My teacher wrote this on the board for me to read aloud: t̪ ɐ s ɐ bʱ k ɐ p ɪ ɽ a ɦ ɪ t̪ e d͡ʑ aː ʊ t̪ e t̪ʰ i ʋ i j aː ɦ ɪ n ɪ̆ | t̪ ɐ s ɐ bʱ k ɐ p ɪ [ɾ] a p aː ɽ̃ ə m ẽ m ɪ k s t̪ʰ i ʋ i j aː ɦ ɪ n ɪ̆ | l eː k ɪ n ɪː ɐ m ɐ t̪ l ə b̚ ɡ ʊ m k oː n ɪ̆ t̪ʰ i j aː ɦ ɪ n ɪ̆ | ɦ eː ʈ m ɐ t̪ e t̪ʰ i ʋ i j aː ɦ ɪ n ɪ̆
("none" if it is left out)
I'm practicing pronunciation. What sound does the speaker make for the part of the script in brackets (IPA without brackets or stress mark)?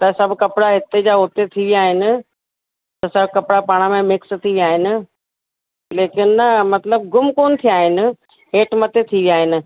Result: ɽ